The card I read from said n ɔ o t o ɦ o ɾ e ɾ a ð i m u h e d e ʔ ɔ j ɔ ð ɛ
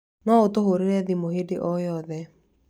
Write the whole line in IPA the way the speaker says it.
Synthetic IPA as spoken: n ɔ o t o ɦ o ɾ e ɾ ɛ ð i m o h e d e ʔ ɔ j ɔ ð ɛ